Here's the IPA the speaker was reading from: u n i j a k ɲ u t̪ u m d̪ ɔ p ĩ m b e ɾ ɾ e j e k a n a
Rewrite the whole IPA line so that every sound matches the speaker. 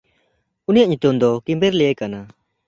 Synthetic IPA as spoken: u n i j a ʔ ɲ u t̪ u m d̪ ɔ k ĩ m b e ɾ l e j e k a n a